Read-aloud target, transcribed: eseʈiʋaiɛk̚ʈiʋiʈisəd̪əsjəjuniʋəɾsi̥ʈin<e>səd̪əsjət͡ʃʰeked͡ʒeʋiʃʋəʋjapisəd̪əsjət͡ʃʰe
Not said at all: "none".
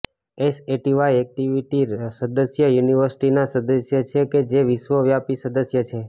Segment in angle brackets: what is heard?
a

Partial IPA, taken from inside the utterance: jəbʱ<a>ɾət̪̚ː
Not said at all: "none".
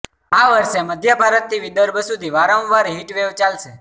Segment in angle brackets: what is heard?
a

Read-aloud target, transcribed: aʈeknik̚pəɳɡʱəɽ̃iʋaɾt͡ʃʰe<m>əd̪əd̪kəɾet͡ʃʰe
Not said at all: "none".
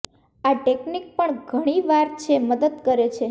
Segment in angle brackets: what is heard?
m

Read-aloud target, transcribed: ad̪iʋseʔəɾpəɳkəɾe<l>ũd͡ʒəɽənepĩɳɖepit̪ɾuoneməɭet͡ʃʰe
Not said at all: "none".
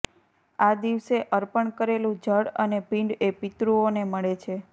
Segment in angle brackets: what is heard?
l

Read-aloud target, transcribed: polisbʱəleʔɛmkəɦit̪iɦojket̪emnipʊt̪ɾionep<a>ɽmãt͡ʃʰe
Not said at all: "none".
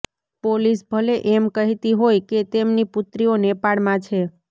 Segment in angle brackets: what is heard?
a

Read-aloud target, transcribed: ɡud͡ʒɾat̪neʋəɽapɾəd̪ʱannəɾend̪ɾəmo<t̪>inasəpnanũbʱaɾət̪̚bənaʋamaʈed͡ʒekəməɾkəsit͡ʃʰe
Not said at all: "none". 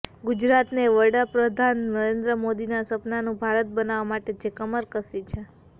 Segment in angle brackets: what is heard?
d̪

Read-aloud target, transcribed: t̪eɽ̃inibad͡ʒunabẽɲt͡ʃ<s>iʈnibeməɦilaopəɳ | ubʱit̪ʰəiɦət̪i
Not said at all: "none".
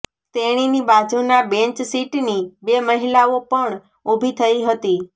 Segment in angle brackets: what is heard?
s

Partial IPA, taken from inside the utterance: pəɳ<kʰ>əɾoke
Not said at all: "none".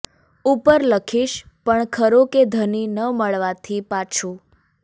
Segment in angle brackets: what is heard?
kʰ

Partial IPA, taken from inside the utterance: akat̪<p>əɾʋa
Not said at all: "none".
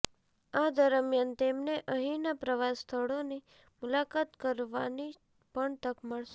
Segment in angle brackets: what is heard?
k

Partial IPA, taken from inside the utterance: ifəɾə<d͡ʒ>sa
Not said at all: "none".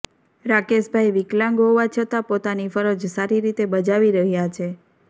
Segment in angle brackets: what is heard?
d͡ʒ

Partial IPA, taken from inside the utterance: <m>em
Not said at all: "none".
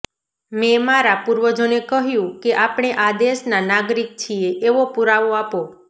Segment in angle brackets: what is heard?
m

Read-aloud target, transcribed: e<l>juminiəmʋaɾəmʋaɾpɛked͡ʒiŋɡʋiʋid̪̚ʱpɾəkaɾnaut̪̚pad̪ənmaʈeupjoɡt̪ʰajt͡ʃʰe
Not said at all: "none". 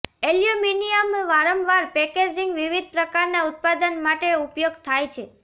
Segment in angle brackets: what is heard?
l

